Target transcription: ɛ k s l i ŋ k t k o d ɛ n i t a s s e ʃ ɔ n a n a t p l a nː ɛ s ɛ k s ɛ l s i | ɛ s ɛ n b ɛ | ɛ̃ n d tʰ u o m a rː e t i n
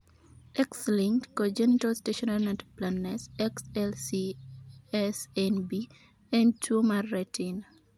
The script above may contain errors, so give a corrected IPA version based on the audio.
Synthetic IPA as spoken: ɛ k s l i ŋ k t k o d͡ʒ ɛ n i t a s t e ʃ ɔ n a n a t p l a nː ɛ s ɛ k s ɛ l s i | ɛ s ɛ n b i | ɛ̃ n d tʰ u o m a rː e t i n

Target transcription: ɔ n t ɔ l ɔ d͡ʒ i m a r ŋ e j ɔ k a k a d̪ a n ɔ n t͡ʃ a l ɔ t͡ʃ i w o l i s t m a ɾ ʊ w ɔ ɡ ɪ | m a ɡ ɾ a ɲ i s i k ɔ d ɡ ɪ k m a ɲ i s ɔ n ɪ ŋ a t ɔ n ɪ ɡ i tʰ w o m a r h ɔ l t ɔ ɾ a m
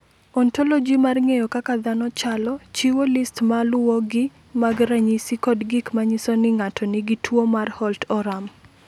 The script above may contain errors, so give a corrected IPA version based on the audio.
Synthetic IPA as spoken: ɔ n t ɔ l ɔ d͡ʒ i m a r ŋ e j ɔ k a k a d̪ a n ɔ t͡ʃ a l ɔ t͡ʃ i w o l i s t m a l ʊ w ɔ ɡ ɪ | m a ɡ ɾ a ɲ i s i k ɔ d ɡ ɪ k m a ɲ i s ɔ n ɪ ŋ a t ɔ n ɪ ɡ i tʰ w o m a r h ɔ l t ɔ ɾ a m

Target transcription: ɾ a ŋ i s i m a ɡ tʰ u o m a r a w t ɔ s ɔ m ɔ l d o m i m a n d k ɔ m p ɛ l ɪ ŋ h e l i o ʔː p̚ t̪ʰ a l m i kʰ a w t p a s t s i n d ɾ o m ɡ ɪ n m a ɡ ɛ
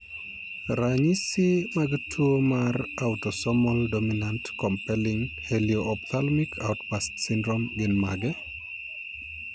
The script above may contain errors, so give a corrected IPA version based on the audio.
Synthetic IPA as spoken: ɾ a ɲ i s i m a ɡ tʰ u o m a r a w t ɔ s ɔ m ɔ l d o m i n a n t k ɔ m p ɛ l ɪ ŋ h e l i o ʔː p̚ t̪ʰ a l m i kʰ a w t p a s t s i n d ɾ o m ɡ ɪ n m a ɡ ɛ

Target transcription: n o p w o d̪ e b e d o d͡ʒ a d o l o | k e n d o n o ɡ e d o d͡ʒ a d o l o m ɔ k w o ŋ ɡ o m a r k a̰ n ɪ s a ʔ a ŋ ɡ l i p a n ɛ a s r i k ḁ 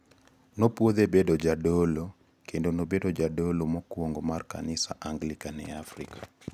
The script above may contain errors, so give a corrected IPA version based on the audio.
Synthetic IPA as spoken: n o p w o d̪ e b e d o d͡ʒ a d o l o | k e n d o n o b e d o d͡ʒ a d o l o m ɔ k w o ŋ ɡ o m a r k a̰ n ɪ s a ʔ a ŋ ɡ l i k a n ɛ a f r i k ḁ

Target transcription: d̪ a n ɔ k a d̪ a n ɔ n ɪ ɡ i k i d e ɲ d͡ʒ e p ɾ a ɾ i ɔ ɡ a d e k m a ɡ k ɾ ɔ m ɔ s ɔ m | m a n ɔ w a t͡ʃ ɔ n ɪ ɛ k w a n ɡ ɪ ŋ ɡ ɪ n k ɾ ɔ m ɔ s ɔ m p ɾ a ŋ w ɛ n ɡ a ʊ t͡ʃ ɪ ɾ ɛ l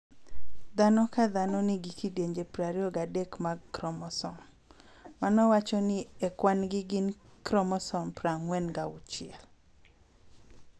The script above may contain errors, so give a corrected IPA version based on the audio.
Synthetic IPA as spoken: d̪ a n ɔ k a d̪ a n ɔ n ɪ ɡ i k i d e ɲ d͡ʒ e p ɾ a ɾ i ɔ ɡ a d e k m a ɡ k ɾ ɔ m ɔ s ɔ m | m a n ɔ w a t͡ʃ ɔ n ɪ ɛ k w a n ɡ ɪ ɡ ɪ n k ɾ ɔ m ɔ s ɔ m p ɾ a ŋ w ɛ n ɡ a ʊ t͡ʃ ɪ ɛ l

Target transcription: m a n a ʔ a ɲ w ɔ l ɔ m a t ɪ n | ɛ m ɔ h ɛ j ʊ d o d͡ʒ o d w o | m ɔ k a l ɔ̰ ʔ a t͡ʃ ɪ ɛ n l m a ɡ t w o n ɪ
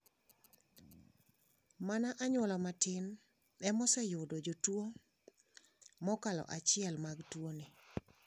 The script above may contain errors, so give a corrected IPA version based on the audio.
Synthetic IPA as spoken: m a n a ʔ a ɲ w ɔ l ɔ m a t ɪ n | ɛ m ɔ s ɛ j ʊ d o d͡ʒ o t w o | m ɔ k a l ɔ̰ ʔ a t͡ʃ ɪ ɛ l m a ɡ t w o n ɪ

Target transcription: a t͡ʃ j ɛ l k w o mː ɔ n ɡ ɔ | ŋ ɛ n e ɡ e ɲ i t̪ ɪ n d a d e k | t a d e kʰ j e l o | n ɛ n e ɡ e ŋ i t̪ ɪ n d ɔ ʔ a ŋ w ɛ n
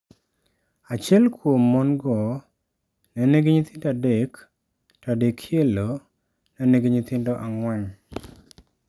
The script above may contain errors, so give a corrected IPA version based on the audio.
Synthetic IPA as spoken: a t͡ʃ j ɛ l k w o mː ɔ n ɡ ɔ | n ɛ n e ɡ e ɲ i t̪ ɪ n d a d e k | t a d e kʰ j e l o | n ɛ n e ɡ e ɲ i t̪ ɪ n d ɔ ʔ a ŋ w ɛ ŋ

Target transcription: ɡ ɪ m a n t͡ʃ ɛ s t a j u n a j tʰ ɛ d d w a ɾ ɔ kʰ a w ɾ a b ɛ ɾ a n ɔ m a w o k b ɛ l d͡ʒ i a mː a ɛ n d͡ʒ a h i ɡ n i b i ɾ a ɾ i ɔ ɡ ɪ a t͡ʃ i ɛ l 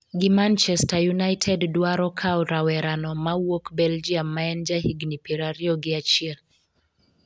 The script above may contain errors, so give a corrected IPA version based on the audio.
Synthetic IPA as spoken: ɡ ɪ m a n t͡ʃ ɛ s t a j u n a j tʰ ɛ d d w a ɾ ɔ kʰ a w ɾ a w ɛ ɾ a n ɔ m a w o k b ɛ l d͡ʒ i a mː a ɛ n d͡ʒ a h i ɡ n i p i ɾ a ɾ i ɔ ɡ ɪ a t͡ʃ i ɛ l

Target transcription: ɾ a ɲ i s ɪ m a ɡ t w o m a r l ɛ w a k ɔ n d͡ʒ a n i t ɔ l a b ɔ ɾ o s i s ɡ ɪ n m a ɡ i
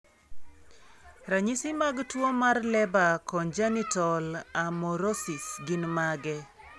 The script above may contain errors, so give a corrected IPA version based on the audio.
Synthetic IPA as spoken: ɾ a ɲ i s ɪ m a ɡ t w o m a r l ɛ b a k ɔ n d͡ʒ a n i t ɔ l a m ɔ ɾ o s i s ɡ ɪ n m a ɡ ɛ

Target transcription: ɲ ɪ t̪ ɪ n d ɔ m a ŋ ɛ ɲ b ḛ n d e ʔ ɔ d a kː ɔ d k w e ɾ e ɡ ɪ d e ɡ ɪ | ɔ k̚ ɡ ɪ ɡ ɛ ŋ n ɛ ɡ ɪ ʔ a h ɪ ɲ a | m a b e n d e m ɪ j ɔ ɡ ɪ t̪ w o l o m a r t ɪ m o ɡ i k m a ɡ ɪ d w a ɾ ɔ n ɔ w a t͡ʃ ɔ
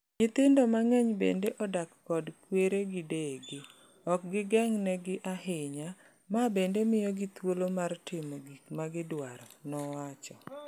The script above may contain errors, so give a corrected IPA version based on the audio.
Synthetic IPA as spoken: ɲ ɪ t̪ ɪ n d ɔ m a ŋ ɛ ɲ b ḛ n d e ʔ ɔ d a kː ɔ d k w e ɾ e ɡ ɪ d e ɡ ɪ | ɔ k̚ ɡ ɪ ɡ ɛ ŋ n ɛ ɡ ɪ ʔ a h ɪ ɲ a | m a b e n d e m ɪ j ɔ ɡ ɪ t̪ w o l o m a r t ɪ m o ɡ i k m a ɡ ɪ d w a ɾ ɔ n ɔ w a t͡ʃ ɔ

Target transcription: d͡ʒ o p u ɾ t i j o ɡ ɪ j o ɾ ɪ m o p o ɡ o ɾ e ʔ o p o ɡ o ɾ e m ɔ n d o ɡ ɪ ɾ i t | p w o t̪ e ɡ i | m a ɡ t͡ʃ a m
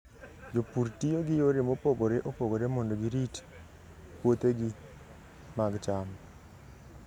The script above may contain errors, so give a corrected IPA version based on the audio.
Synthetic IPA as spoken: d͡ʒ o p u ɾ t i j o ɡ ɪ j o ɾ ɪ m o p o ɡ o ɾ e ʔ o p o ɡ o ɾ e m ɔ n d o ɡ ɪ ɾ i t | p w o t̪ e ɡ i | m a ɡ t͡ʃ a m

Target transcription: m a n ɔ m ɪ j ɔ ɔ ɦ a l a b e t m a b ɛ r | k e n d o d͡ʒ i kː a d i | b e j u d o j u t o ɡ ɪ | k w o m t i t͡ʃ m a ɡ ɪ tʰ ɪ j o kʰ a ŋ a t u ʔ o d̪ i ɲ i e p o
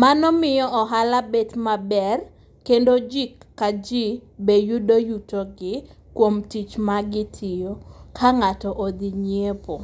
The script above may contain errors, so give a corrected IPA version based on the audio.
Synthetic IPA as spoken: m a n ɔ m ɪ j ɔ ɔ ɦ a l a b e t m a b ɛ r | k e n d o d͡ʒ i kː a d͡ʒ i | b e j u d o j u t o ɡ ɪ | k w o m t i t͡ʃ m a ɡ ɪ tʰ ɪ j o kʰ a ŋ a t ɔ ʔ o d̪ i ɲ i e p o

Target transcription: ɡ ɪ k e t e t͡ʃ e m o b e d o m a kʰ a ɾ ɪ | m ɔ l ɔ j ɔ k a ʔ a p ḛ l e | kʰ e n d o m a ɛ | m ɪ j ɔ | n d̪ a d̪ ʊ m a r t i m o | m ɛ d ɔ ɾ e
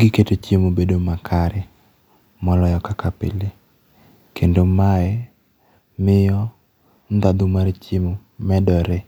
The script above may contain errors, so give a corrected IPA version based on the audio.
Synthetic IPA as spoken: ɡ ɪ k e t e t͡ʃ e m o b e d o m a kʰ a ɾ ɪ | m ɔ l ɔ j ɔ k a k a p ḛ l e | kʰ e n d o m a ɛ | m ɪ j ɔ | n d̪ a d̪ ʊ m a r t͡ʃ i m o | m ɛ d ɔ ɾ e

